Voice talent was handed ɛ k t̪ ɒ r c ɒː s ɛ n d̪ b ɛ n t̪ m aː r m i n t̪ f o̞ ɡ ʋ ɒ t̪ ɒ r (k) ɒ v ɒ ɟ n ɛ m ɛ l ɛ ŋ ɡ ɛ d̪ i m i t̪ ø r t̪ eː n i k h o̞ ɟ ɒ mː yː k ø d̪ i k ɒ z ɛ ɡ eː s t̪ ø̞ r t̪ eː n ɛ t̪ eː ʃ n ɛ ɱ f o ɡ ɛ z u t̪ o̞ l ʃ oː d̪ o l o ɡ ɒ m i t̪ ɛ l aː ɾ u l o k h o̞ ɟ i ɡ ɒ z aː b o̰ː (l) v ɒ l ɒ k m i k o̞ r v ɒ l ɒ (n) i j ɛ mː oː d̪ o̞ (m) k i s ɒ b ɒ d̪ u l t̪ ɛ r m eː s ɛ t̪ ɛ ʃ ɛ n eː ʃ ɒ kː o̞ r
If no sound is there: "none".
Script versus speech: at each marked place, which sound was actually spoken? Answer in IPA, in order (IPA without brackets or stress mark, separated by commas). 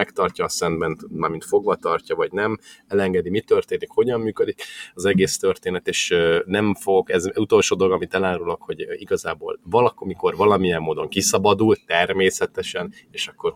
c, l, m, ŋ